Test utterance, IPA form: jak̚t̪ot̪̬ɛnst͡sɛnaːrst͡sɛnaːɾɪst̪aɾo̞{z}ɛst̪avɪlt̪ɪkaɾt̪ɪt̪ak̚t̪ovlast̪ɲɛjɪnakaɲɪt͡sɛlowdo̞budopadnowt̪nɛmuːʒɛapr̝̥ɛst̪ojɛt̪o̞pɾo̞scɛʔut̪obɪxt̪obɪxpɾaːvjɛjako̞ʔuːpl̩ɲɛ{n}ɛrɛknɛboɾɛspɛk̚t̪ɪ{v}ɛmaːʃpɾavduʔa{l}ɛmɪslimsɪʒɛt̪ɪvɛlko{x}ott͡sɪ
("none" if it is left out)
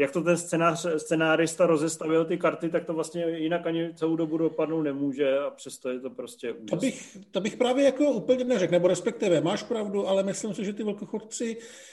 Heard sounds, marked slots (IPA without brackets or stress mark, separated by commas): z, n, v, l, x